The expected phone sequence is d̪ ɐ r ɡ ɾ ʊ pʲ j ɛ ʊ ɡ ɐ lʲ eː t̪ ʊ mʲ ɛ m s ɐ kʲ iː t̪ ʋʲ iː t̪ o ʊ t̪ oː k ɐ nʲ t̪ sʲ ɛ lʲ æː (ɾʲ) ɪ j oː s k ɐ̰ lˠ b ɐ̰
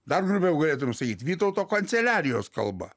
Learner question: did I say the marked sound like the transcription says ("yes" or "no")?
yes